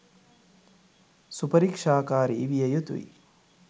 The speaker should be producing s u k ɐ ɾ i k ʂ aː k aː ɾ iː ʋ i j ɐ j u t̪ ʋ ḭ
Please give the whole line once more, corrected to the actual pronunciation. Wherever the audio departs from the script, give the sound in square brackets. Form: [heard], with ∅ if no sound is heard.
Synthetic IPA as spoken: s u [p] ɐ ɾ i k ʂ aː k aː ɾ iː ʋ i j ɐ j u t̪ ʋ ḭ